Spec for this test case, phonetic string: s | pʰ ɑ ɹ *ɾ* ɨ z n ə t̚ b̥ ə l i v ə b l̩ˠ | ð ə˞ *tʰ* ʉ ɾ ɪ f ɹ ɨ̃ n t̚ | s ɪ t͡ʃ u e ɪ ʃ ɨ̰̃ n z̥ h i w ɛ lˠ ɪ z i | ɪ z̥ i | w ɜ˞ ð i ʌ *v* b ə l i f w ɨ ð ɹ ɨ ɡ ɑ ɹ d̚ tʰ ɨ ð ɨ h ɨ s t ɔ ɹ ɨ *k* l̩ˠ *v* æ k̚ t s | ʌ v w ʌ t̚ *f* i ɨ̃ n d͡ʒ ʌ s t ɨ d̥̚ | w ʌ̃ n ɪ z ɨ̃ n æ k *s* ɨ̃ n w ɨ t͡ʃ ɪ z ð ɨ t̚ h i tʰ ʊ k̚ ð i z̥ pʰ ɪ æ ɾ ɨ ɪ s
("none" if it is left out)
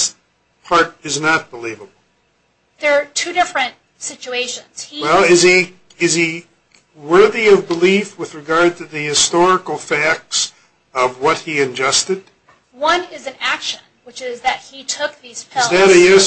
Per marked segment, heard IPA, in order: ɾ, tʰ, v, k, f, h, ʃ

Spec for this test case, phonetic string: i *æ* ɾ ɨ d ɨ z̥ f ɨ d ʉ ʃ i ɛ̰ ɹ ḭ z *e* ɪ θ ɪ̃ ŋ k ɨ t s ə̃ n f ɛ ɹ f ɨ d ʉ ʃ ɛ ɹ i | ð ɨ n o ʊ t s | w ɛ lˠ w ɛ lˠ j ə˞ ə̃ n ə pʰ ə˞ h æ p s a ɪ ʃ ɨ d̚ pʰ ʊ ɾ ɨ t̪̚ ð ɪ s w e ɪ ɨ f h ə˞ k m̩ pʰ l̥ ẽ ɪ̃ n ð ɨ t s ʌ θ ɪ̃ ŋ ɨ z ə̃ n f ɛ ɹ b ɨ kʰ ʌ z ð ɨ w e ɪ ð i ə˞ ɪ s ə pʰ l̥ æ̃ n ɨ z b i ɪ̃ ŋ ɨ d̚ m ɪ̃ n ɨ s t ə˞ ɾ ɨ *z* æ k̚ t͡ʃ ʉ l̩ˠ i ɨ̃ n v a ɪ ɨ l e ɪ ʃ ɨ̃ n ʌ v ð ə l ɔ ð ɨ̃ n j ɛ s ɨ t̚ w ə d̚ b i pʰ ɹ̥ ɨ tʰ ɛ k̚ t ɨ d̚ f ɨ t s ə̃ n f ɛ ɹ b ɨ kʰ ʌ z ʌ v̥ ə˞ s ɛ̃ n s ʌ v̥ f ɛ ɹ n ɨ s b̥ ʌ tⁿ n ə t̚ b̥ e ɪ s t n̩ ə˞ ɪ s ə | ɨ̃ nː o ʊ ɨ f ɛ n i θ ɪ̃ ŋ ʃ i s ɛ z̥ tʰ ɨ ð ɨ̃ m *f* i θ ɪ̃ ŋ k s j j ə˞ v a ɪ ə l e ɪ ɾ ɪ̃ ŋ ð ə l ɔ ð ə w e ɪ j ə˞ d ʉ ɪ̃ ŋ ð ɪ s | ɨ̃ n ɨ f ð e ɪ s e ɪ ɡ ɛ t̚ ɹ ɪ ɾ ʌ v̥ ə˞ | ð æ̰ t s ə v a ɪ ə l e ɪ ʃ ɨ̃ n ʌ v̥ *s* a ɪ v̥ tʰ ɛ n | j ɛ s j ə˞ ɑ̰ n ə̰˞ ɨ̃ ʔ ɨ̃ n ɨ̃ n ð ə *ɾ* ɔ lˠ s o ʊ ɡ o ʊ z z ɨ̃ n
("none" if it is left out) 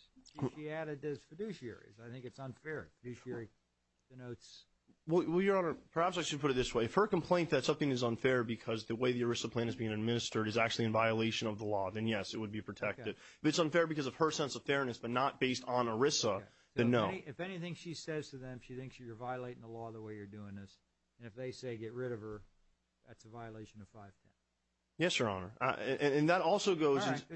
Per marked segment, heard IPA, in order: æ, a, z, ʃ, f, ɾ

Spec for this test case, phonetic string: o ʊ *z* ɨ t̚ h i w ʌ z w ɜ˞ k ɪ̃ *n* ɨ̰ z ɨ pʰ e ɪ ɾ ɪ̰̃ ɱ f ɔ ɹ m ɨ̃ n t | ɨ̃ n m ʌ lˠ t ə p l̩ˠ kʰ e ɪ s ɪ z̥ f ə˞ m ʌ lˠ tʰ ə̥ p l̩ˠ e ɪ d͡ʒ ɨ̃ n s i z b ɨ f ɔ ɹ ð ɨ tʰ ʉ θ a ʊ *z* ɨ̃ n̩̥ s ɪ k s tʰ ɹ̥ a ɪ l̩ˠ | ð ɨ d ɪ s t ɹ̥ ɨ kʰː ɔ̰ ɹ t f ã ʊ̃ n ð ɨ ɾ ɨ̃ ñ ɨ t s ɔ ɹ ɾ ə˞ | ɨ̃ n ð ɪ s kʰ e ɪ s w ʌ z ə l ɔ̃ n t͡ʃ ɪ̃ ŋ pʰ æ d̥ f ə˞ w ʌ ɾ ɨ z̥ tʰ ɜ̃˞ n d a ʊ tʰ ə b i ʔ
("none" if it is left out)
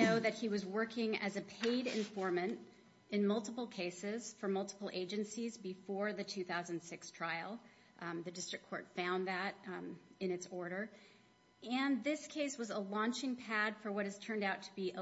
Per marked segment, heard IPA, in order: ð, ŋ, z

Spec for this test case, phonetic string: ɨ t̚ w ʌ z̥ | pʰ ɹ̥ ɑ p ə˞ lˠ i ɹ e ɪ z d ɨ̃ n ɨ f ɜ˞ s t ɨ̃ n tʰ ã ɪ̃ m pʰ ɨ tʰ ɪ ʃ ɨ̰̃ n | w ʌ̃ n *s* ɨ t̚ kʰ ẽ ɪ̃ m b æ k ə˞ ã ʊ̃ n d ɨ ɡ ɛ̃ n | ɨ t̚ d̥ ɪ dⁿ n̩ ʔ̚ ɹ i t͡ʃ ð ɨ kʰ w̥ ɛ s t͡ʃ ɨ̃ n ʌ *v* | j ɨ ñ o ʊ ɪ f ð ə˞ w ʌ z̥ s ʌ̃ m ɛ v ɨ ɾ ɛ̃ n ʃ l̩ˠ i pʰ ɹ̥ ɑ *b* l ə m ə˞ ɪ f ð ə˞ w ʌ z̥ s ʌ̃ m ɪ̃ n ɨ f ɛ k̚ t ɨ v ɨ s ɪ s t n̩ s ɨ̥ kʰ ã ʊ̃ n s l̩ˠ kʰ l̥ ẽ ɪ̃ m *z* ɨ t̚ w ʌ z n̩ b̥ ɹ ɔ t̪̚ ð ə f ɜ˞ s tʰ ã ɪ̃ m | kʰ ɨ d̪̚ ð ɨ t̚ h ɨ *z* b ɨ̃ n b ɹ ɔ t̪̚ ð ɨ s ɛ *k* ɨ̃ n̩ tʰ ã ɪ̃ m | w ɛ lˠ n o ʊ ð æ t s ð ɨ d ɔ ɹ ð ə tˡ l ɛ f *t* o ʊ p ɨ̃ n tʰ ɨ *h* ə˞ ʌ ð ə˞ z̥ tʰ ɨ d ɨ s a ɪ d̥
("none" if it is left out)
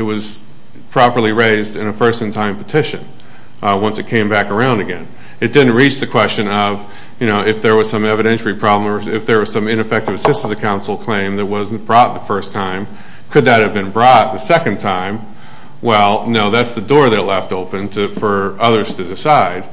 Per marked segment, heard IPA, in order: s, v, b, ð, v, k, t, f

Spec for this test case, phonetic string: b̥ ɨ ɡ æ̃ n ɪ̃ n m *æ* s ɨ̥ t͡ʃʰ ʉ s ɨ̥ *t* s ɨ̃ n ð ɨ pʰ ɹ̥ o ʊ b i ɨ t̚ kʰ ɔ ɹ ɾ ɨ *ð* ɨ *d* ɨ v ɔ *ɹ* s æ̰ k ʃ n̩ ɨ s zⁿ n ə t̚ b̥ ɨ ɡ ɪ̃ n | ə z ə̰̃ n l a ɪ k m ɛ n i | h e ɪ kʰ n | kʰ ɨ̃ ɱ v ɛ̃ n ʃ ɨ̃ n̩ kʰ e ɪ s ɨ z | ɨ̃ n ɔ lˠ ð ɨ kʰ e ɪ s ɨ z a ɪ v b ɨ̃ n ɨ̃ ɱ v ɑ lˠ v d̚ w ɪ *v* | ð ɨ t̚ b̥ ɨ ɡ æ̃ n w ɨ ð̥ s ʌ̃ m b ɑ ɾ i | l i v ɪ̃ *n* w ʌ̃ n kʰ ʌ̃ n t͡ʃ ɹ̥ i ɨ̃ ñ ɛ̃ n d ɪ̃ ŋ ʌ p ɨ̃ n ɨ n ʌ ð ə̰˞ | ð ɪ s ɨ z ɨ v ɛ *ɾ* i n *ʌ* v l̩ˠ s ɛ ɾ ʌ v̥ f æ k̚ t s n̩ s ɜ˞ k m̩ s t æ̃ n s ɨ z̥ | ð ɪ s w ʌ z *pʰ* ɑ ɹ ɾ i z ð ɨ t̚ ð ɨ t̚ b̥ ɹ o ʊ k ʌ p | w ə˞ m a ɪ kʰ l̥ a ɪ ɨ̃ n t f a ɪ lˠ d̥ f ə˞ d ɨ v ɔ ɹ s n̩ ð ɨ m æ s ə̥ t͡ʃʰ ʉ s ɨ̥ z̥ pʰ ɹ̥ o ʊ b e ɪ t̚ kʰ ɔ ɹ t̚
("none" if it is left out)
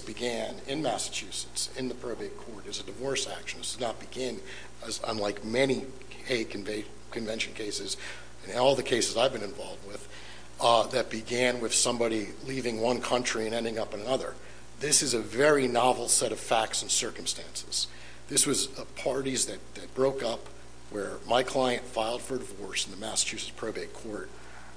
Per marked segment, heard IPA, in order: æ, t, z, d, ɹ, ð, ŋ, ɹ, ɑ, pʰ

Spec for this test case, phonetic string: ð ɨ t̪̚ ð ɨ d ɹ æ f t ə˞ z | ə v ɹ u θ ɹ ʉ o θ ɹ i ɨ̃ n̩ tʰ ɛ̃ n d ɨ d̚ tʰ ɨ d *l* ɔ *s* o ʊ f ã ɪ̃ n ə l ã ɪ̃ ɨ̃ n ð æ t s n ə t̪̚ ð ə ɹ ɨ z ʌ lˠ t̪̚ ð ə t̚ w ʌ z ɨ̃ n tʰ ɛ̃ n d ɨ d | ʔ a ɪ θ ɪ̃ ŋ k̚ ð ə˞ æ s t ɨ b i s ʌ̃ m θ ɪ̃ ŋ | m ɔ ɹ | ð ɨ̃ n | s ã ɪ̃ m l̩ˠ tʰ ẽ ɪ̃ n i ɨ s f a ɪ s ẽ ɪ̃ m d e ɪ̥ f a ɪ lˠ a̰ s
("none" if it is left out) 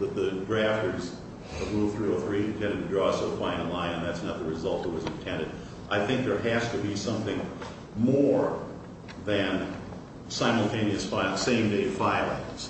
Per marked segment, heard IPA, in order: ɹ, s

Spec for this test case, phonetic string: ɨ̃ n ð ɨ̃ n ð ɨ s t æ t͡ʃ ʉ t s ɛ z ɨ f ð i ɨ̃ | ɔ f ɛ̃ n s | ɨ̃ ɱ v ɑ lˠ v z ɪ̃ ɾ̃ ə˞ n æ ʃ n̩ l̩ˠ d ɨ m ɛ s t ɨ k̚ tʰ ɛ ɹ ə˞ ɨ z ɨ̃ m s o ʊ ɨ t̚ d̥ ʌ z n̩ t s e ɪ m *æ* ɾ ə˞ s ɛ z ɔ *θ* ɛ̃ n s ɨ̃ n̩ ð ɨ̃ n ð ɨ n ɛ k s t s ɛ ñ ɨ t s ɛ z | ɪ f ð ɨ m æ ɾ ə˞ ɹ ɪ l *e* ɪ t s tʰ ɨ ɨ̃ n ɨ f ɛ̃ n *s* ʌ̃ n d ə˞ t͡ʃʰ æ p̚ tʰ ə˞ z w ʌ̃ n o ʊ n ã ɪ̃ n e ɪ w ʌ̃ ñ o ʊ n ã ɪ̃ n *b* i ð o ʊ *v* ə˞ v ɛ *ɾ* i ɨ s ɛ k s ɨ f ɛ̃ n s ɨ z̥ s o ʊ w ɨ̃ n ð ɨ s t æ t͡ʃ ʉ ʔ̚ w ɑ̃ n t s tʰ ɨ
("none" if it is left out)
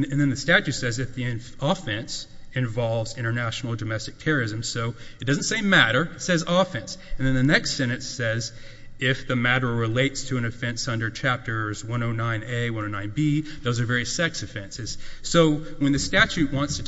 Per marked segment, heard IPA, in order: æ, f, e, s, b, z, ɹ

